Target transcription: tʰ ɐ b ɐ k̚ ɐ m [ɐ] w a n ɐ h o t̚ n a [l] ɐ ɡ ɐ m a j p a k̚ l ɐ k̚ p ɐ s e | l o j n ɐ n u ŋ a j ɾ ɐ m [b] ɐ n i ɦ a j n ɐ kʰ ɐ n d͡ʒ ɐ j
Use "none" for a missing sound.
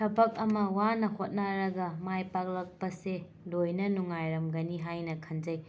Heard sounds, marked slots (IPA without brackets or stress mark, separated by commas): ɐ, ɾ, ɡ